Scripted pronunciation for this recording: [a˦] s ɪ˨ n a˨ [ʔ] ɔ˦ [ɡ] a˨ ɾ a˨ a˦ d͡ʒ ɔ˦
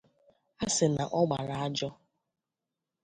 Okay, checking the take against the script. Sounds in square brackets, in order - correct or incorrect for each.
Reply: correct, correct, incorrect

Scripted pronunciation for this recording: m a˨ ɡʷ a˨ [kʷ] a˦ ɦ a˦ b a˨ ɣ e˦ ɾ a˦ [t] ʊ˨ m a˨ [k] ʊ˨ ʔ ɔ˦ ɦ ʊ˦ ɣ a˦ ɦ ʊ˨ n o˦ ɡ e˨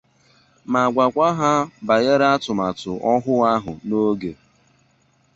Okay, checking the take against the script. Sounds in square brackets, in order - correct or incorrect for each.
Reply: correct, correct, incorrect

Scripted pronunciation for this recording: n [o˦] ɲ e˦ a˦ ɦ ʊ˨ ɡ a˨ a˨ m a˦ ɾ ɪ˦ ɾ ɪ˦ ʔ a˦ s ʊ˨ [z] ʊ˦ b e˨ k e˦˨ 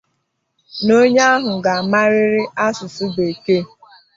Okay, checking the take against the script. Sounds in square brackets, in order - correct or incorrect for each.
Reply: correct, incorrect

